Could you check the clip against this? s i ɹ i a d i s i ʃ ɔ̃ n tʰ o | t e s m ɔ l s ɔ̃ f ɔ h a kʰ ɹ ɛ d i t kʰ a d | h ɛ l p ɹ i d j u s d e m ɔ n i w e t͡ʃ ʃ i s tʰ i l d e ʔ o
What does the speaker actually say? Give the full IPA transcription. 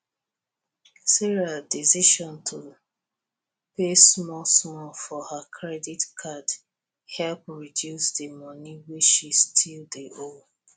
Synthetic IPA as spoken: s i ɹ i a d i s i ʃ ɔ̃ n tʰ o | p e s m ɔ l s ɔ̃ f ɔ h a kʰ ɹ ɛ d i t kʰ a d | h ɛ l p ɹ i d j u s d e m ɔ n i w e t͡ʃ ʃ i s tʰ i l d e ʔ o

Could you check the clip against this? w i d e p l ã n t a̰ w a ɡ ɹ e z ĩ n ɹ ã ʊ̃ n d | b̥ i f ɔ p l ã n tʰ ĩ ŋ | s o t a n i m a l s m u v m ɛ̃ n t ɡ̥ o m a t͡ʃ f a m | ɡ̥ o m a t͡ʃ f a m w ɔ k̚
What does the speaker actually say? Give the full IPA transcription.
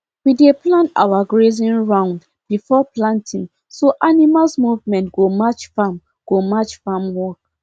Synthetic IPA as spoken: w i d e p l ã n t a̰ w a ɡ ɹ e z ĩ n ɹ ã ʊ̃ n d | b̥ i f ɔ p l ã n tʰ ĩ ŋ | s o ʔ a n i m a l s m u v m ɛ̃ n t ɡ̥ o m a t͡ʃ f a m | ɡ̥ o m a t͡ʃ f a m w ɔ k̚

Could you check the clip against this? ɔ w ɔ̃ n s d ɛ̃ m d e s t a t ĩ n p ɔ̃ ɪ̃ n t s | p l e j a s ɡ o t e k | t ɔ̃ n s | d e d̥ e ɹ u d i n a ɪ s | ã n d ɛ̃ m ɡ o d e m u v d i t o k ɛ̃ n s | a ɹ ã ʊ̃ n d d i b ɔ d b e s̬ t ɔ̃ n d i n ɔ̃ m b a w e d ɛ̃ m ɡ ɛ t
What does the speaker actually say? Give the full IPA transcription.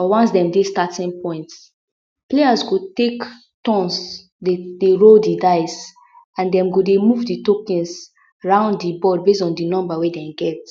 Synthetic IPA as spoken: ɔ w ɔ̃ n s d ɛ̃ m d e s t a t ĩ n p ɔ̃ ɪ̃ n t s | p l e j a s ɡ o t e k | t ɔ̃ n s | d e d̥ e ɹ o d i d a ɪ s | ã n d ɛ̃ m ɡ o d e m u v d i t o k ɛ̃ n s | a ɹ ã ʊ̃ n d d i b ɔ d b e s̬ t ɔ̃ n d i n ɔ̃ m b a w e d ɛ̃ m ɡ ɛ t

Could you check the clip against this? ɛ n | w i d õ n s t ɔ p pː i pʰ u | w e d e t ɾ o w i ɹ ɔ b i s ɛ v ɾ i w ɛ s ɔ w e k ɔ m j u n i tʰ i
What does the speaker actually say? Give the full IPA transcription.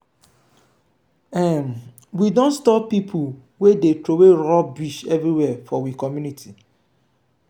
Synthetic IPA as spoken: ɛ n | w i d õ n s t ɔ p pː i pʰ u | w e d e t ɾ o w e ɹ ɔ b i ʃ ɛ v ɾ i w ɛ f ɔ w i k ɔ m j u n i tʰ i

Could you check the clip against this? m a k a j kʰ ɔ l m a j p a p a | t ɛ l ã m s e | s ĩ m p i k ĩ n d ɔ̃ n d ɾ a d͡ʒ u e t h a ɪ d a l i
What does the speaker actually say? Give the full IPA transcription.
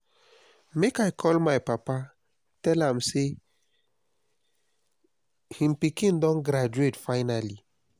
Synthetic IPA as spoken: m e k a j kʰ ɔ l m a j p a p a | t ɛ l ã m s e | h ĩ m p i k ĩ n d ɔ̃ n ɡ ɾ a d͡ʒ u e t f a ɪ n a l i

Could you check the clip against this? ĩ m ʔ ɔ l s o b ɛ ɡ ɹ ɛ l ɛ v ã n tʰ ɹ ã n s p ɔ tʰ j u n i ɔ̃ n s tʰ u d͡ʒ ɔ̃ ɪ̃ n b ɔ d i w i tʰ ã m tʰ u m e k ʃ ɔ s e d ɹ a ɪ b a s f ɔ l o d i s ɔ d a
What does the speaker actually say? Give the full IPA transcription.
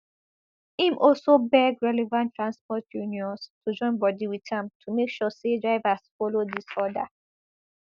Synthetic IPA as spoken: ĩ m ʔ ɔ l s o b ɛ ɡ ɹ ɛ l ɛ v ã n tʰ ɹ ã n s p ɔ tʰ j u n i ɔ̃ n s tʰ u d͡ʒ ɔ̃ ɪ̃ n b ɔ d i w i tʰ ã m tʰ u m e k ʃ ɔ s e d ɹ a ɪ v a s f ɔ l o d i s ɔ d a

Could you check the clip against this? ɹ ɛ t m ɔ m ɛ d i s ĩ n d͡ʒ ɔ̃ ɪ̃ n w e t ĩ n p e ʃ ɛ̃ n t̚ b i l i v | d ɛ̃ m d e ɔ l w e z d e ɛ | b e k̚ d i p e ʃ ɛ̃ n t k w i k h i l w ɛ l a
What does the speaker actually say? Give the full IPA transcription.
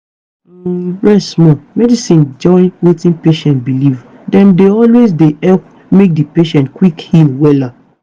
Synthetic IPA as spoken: ɹ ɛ s m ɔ m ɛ d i s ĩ n d͡ʒ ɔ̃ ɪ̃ n w e t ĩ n p e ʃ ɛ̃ n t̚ b i l i v | d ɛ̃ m d e ɔ l w e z d e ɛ | m e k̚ d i p e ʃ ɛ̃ n t k w i k h i l w ɛ l a

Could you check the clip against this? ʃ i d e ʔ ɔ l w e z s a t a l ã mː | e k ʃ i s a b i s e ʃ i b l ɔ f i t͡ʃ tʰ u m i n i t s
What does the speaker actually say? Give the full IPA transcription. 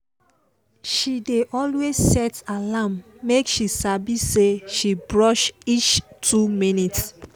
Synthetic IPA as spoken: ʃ i d e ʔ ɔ l w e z s ɛ t a l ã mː | e k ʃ i s a b i s e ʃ i b ɹ ɔ ʃ i t͡ʃ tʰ u m i n i t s

